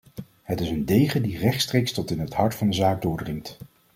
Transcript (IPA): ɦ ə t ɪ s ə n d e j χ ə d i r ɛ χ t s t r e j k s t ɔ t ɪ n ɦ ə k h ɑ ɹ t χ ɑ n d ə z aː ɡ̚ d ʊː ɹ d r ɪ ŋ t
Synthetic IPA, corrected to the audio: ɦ ə t ɪ s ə n d e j χ ə d i r ɛ χ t s t r e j k s t ɔ t ɪ n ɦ ə t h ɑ ɹ t f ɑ n d ə z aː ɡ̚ d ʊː ɹ d r ɪ ŋ t